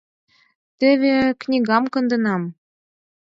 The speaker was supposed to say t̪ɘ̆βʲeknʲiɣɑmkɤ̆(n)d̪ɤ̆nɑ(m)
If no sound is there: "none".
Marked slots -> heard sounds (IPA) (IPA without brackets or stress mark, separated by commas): n, m